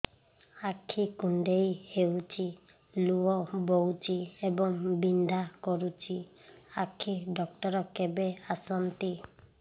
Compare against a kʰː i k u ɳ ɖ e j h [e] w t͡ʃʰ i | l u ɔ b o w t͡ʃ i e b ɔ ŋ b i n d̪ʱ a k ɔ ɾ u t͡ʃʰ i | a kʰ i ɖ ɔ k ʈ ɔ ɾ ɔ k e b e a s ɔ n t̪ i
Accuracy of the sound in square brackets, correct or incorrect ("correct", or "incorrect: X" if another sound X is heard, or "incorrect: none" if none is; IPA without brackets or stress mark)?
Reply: correct